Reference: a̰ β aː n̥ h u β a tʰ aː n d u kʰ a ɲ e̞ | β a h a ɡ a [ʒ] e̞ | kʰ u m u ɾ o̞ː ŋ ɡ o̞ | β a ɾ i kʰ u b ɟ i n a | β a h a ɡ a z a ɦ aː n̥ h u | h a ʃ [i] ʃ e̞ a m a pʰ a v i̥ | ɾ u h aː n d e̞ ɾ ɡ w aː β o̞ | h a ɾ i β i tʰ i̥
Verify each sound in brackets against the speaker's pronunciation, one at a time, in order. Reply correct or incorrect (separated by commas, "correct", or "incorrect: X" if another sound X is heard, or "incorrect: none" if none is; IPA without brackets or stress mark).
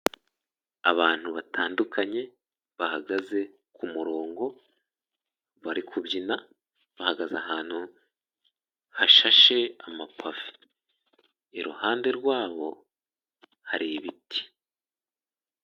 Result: incorrect: z, incorrect: a